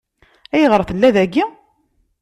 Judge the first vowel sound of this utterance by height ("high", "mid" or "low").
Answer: low